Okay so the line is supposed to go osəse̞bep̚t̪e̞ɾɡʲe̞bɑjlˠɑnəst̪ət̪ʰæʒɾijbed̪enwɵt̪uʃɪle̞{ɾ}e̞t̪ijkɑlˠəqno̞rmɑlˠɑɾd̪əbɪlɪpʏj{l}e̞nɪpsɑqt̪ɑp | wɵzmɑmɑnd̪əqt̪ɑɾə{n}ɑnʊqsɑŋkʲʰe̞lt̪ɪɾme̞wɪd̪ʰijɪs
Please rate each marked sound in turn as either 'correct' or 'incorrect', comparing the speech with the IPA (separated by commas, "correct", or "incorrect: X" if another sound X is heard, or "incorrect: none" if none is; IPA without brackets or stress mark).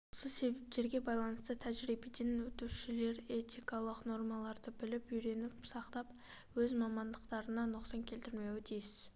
correct, incorrect: ɾ, correct